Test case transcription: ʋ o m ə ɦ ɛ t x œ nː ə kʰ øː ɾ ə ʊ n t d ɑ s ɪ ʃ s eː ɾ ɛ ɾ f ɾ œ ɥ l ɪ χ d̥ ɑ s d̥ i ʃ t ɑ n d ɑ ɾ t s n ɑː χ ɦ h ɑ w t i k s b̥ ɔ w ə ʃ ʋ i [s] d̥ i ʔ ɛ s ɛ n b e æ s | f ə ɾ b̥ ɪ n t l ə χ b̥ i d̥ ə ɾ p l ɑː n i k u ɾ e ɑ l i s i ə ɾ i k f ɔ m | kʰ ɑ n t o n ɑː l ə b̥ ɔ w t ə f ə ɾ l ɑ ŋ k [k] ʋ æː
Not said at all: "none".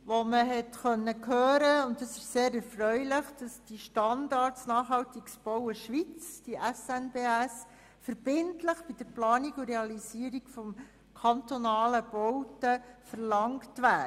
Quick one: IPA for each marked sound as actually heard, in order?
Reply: t͡s, t

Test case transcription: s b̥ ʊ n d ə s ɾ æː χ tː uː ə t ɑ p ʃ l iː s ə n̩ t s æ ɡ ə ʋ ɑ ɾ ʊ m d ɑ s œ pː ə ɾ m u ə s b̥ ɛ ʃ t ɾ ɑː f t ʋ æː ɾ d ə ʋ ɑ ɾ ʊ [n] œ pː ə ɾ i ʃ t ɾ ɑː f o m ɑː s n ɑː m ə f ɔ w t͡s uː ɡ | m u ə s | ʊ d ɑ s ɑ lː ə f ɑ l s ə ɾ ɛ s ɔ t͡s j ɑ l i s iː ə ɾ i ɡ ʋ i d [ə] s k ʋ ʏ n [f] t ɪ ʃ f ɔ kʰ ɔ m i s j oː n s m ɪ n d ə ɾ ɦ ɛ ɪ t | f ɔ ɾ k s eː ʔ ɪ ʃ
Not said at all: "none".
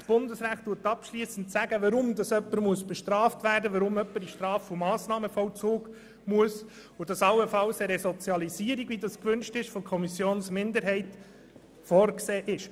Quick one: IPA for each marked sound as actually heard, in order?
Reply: m, ɑ, ʃ

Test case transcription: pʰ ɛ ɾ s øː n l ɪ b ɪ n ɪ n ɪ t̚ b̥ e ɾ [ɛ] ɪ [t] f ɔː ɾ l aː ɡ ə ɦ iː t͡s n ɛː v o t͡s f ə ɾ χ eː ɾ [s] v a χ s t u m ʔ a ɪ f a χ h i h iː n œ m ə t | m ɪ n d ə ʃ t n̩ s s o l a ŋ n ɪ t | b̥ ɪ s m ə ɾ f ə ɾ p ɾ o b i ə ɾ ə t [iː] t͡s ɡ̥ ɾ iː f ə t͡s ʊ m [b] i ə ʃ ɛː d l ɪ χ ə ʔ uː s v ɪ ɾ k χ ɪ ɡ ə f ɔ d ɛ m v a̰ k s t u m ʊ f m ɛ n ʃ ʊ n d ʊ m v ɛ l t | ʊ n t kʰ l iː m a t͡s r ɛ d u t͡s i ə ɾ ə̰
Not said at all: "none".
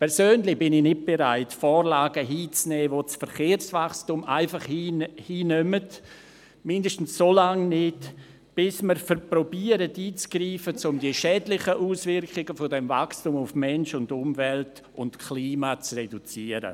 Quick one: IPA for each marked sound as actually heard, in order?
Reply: a, t, s, iː, d

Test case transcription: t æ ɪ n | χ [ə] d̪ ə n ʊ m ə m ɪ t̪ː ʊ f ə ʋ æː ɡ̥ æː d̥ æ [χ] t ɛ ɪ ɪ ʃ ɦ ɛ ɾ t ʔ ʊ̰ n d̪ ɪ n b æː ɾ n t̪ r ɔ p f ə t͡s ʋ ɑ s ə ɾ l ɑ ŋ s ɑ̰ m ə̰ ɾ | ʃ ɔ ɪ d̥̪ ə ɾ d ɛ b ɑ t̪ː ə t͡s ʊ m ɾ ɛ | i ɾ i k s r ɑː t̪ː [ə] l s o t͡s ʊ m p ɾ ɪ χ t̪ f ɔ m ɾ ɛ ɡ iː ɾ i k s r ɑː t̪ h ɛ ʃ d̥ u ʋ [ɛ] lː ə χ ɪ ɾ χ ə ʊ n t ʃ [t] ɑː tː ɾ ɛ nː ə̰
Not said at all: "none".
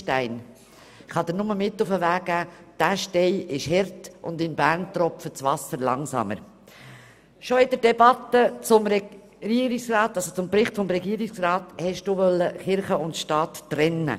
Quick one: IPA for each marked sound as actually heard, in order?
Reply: ɑ, ʃ, ɑ, œ, t

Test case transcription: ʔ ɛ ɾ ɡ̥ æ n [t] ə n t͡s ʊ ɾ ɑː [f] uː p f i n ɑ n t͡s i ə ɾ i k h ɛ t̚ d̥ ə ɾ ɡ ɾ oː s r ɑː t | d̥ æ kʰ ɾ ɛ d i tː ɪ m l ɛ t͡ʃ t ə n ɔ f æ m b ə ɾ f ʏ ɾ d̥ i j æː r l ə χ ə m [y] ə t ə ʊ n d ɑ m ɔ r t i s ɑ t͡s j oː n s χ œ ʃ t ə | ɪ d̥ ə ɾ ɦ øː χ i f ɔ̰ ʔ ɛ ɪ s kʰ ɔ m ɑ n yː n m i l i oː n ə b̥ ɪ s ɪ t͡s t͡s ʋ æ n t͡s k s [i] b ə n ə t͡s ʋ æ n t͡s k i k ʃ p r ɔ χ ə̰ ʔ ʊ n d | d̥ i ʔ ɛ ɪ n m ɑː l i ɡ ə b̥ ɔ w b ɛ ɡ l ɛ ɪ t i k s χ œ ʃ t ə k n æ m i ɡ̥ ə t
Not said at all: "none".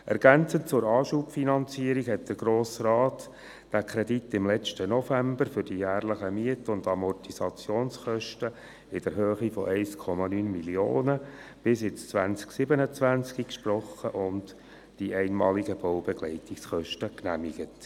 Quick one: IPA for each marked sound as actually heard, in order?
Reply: t͡s, ʃ, i, ɪ

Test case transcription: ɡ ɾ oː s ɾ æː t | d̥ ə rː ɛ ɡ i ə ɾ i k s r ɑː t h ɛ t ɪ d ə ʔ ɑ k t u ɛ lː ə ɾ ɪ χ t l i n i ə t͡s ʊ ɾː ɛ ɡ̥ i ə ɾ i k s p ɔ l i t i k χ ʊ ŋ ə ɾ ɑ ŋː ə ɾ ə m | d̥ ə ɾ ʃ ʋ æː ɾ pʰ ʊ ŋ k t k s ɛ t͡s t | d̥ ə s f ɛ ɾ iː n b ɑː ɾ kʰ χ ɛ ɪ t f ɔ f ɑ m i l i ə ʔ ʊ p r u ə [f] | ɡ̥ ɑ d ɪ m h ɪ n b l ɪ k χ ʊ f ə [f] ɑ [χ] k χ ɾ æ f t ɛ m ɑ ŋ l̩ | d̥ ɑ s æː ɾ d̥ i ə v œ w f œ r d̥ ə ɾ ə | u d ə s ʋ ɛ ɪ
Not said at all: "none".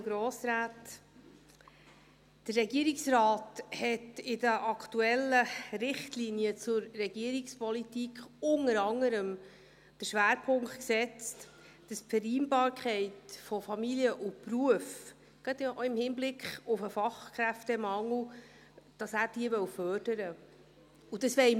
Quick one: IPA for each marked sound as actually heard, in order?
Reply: f, f, χ

